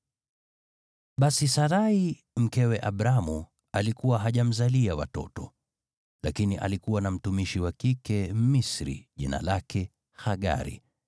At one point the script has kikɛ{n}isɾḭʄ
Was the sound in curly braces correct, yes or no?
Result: no